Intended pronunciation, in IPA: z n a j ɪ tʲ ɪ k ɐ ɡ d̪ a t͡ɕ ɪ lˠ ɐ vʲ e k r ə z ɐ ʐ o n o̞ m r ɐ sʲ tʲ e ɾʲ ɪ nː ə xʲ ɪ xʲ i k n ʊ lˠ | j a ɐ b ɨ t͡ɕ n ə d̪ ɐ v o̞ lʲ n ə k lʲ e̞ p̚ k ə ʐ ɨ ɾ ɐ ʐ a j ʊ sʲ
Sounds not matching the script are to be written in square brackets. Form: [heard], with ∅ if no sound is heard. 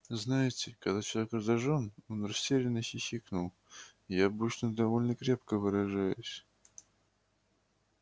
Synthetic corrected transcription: z n a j ɪ tʲ ɪ k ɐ ɡ d̪ a t͡ɕ ɪ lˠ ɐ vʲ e k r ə z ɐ ʐ o n o̞ [n] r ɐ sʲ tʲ e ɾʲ ɪ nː ə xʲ ɪ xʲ i k n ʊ lˠ | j a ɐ b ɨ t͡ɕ n ə d̪ ɐ v o̞ lʲ n ə k [ɾʲ] e̞ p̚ k ə [v] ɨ ɾ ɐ ʐ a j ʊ sʲ